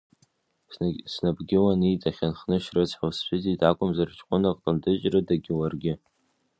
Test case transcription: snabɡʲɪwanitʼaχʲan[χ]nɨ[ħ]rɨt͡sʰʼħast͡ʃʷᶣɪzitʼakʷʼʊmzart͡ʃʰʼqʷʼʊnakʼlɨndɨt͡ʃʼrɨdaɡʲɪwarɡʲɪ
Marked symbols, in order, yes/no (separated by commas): yes, no